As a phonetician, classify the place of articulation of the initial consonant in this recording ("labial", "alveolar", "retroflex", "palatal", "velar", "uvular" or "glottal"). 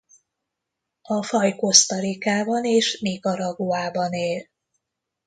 labial